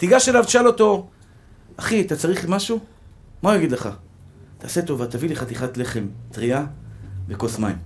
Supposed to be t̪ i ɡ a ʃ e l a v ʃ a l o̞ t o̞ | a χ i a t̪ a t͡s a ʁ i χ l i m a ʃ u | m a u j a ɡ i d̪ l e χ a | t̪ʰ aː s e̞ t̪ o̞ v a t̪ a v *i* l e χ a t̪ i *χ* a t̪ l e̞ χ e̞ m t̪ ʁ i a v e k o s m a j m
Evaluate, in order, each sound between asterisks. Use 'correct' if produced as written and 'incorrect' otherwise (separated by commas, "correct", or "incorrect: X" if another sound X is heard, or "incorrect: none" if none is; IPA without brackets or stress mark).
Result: correct, correct